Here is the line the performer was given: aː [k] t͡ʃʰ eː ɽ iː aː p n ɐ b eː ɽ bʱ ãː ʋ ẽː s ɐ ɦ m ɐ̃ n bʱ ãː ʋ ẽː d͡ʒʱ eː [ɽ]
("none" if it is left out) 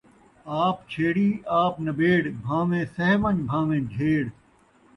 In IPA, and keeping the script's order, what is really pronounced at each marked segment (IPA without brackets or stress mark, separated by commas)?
p, ɽ